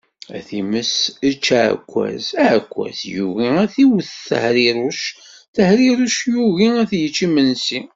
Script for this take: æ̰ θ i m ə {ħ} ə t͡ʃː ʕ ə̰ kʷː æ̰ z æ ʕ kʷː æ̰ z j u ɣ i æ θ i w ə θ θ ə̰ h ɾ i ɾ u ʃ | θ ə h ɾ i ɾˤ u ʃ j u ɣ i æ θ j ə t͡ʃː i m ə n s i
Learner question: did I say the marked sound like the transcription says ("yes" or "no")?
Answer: no